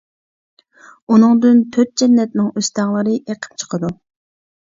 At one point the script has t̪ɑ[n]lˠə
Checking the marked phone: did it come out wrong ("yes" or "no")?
yes